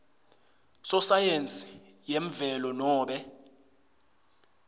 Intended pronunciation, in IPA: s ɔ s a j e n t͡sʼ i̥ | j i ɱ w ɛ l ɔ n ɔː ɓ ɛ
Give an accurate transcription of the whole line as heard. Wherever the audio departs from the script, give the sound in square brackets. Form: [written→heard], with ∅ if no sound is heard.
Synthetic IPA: s ɔ s a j e n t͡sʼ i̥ | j [i→e] ɱ [w→v] ɛ l ɔ n ɔː ɓ ɛ